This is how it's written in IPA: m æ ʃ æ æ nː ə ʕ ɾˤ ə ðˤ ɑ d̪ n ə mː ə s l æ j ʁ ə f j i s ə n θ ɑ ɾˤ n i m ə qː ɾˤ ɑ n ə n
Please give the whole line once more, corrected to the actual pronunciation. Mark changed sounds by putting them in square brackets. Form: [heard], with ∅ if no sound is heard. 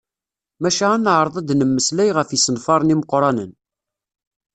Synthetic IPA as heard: m æ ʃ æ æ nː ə ʕ ɾˤ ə ðˤ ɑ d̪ n ə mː ə s l æ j ʁ ə f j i s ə n [f] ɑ ɾˤ n i m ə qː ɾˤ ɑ n ə n